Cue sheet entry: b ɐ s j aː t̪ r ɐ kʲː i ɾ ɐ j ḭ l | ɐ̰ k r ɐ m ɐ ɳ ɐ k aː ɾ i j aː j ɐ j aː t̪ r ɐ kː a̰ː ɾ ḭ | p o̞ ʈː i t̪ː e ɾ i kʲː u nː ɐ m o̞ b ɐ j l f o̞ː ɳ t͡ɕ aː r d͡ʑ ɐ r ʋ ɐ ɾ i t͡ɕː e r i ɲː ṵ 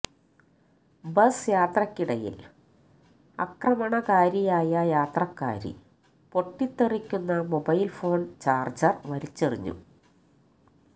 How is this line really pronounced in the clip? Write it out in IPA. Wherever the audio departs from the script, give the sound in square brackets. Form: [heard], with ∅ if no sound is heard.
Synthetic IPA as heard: b ɐ s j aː t̪ r ɐ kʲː i [ɽ] ɐ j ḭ l | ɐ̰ k r ɐ m ɐ ɳ ɐ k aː ɾ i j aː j ɐ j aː t̪ r ɐ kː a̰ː ɾ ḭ | p o̞ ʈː i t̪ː e [r] i kʲː u nː ɐ m o̞ b ɐ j l f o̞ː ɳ t͡ɕ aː r d͡ʑ ɐ r ʋ ɐ ɾ i t͡ɕː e r i ɲː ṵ